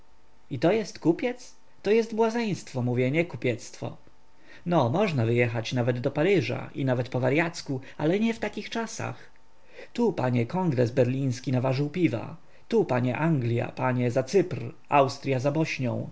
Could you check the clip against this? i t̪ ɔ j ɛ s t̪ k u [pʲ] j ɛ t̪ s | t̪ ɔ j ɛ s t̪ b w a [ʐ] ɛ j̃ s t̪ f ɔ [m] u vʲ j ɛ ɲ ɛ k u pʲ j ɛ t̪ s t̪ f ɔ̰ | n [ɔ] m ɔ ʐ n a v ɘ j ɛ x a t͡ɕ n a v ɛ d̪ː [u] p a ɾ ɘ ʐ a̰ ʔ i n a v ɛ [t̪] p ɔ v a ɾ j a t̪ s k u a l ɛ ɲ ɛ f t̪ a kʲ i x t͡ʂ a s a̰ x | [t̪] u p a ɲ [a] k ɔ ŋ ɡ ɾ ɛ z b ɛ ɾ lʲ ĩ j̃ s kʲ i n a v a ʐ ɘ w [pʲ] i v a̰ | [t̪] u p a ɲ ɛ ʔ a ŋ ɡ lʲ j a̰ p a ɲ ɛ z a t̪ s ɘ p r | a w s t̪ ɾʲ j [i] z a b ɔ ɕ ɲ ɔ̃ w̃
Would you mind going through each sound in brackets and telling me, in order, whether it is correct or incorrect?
correct, incorrect: z, correct, correct, incorrect: ɔ, correct, correct, incorrect: ɛ, correct, correct, incorrect: a

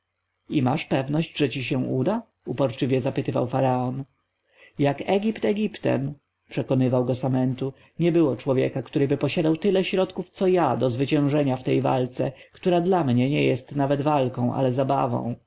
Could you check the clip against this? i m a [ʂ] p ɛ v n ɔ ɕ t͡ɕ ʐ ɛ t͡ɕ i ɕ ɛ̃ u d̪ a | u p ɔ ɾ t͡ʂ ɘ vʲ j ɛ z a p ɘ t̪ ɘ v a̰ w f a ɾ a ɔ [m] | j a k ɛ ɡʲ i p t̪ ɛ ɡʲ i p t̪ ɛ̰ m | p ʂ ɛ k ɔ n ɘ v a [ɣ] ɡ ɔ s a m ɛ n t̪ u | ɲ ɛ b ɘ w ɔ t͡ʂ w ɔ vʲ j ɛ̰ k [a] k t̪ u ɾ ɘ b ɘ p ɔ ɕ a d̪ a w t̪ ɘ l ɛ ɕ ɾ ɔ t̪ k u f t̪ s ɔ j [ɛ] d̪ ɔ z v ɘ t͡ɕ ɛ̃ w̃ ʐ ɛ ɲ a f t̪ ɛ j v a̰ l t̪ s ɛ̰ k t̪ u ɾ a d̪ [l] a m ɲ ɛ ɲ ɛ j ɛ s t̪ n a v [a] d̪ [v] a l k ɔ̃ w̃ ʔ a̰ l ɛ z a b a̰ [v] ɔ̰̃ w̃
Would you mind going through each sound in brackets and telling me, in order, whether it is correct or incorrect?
correct, incorrect: n, incorrect: w, correct, incorrect: a, correct, incorrect: ɛ, correct, correct

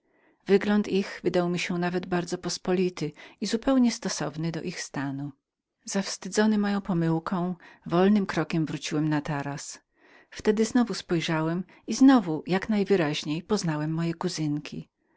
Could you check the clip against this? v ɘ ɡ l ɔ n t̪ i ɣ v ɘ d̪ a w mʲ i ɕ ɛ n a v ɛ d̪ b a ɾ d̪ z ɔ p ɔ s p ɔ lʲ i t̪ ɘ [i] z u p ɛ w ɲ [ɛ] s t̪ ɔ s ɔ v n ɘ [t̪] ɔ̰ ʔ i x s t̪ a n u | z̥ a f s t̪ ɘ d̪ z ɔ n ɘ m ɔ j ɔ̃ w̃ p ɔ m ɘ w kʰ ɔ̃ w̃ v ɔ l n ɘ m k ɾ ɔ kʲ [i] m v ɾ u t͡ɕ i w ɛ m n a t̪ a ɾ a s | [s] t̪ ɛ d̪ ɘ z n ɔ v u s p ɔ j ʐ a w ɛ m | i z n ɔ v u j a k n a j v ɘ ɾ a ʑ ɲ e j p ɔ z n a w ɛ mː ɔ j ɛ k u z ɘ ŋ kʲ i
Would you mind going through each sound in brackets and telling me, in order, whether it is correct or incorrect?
correct, correct, incorrect: d̪, incorrect: ɛ, incorrect: f

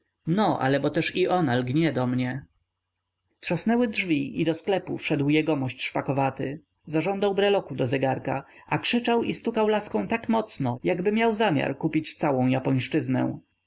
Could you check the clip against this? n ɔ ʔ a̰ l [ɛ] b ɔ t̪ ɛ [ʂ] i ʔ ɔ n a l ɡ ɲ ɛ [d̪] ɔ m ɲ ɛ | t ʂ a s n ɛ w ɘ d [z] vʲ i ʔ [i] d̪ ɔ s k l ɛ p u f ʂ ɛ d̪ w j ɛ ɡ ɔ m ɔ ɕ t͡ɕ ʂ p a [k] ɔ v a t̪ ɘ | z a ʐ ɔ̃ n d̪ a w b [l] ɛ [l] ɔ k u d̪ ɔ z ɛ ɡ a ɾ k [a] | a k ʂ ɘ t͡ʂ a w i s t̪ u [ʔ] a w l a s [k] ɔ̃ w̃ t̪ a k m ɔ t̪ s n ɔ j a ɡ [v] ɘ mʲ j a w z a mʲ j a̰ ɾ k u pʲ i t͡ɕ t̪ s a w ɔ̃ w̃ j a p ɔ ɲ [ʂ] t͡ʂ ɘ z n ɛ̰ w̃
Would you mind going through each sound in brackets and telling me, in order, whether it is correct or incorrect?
correct, correct, correct, incorrect: ʐ, correct, correct, incorrect: ɾ, correct, correct, incorrect: k, correct, incorrect: b, correct

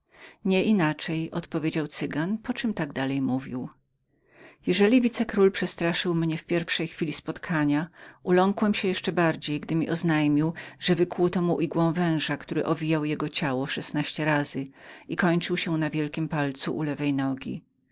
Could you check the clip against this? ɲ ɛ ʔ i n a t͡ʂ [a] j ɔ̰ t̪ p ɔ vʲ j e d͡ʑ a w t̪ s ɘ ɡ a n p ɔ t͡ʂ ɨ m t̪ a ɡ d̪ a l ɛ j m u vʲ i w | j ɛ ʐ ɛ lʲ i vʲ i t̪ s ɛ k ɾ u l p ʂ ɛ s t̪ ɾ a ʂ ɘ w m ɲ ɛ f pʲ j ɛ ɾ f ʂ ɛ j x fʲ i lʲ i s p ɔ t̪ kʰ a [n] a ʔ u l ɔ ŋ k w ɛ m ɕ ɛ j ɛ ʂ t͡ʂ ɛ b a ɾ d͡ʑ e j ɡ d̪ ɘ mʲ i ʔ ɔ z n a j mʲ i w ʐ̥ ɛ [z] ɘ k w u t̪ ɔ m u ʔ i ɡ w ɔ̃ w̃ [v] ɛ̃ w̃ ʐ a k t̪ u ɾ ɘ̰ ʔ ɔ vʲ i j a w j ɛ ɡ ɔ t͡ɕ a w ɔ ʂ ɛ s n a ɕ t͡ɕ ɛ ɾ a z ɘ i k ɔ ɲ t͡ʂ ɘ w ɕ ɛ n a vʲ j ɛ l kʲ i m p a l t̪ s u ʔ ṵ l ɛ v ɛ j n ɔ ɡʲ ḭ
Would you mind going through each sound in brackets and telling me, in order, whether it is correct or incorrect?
incorrect: ɛ, incorrect: ɲ, incorrect: v, correct

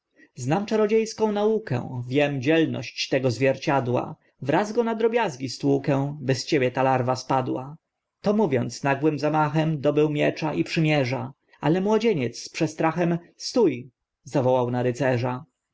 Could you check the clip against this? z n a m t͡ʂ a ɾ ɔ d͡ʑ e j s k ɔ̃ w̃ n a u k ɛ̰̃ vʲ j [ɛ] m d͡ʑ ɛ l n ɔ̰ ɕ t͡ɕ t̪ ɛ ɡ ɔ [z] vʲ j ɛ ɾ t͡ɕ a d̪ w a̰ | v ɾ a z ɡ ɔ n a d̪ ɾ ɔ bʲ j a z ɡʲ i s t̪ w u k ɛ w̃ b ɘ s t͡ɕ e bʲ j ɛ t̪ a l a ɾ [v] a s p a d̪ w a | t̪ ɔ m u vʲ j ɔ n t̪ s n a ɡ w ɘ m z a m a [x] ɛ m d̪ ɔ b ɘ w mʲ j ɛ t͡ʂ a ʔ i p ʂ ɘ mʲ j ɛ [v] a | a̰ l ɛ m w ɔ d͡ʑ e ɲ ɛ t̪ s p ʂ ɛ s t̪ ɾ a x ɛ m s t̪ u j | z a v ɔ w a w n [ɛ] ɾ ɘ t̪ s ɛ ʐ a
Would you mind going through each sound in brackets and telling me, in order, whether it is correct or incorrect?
correct, correct, correct, correct, incorrect: ʐ, incorrect: a

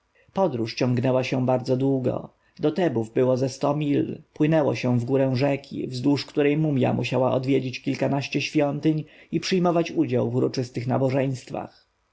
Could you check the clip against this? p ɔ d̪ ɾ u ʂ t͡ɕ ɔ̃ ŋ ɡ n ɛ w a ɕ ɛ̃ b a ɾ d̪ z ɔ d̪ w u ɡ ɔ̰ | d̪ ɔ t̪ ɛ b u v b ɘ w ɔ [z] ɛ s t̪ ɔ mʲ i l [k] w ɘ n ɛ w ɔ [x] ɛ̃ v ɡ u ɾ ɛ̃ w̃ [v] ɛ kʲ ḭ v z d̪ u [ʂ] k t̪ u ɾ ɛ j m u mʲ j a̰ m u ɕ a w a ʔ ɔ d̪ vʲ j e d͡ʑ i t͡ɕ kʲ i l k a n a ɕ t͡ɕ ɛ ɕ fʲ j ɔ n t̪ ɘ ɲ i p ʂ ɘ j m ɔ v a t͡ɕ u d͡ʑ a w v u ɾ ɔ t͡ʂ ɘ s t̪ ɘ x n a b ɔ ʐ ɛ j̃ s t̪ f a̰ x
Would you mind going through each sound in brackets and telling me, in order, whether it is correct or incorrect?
correct, incorrect: p, incorrect: ɕ, incorrect: ʐ, correct

